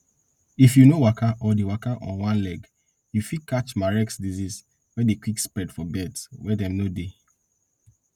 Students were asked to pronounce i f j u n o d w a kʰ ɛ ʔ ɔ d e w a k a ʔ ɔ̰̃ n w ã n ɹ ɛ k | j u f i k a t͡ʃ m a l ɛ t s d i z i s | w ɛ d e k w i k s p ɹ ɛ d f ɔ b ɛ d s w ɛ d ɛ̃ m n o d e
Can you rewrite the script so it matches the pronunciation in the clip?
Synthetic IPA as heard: i f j u n o w a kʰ a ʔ ɔ d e w a k a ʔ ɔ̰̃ n w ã n l ɛ ɡ | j u f i k a t͡ʃ m a ɹ ɛ k s d i z i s | w ɛ d e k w i k s p ɹ ɛ d f ɔ b ɛ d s w ɛ d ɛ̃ m n o d e